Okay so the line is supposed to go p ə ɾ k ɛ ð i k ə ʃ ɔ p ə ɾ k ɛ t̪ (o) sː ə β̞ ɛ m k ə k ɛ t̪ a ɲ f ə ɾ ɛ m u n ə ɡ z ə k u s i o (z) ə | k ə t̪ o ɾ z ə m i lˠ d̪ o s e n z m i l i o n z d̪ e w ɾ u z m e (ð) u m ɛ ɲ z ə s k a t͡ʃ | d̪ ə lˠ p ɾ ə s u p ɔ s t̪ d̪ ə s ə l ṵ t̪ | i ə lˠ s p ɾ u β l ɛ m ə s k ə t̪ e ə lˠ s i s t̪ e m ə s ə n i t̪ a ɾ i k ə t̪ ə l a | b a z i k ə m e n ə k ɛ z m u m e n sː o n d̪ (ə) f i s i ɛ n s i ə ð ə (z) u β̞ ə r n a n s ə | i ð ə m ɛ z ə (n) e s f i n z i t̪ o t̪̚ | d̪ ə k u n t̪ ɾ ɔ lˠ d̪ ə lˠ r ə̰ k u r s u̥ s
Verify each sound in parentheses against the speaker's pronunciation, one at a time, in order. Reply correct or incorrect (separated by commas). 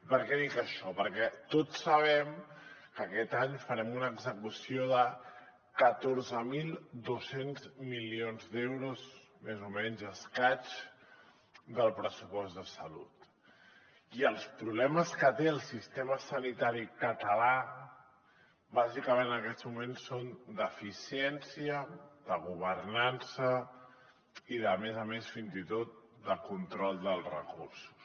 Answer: correct, incorrect, incorrect, correct, incorrect, incorrect